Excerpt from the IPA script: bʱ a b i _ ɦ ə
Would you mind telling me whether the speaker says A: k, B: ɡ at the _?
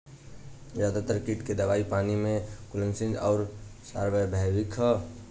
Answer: A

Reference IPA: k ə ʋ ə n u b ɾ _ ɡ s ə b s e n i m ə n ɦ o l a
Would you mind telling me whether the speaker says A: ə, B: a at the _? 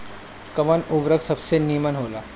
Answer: A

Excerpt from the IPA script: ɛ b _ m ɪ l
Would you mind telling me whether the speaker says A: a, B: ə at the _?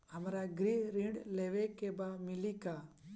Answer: A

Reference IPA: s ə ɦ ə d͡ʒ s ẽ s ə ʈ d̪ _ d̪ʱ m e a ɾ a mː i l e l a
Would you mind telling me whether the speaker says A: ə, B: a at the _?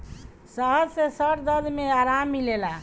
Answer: A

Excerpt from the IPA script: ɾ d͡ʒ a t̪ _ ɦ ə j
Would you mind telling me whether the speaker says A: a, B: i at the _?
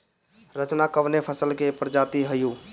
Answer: B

